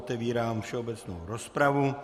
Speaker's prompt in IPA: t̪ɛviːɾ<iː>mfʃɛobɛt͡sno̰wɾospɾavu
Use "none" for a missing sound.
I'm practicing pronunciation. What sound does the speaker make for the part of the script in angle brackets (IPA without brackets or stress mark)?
aː